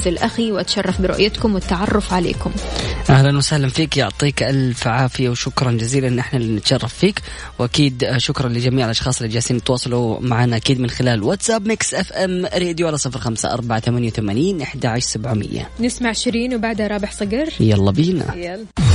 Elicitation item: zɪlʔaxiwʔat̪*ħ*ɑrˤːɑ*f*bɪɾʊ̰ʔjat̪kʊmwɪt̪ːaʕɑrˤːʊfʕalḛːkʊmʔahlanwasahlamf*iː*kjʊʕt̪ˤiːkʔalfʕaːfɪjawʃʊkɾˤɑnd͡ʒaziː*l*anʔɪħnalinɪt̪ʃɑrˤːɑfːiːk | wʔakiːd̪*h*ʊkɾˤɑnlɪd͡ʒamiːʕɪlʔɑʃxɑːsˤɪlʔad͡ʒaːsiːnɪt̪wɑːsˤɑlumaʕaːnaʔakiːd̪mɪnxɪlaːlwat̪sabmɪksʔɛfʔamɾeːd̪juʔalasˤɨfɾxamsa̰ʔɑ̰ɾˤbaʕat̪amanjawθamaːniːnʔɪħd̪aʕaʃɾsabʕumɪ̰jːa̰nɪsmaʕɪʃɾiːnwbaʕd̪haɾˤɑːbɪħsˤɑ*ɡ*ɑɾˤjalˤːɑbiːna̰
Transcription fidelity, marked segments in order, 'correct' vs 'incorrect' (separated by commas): incorrect, correct, correct, correct, incorrect, correct